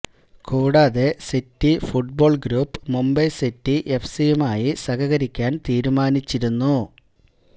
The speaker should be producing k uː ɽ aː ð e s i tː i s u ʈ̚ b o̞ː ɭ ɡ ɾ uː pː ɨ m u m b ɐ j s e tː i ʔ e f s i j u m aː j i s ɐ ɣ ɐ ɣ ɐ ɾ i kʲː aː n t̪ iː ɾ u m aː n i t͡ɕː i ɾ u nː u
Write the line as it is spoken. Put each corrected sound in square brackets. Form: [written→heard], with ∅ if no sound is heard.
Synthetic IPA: k uː ɽ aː ð e s i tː i [s→f] u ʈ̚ b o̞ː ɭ ɡ ɾ uː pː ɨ m u m b ɐ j s [e→i] tː i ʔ e f s i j u m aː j i s ɐ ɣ ɐ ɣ ɐ ɾ i kʲː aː n t̪ iː ɾ u m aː n i t͡ɕː i ɾ u nː u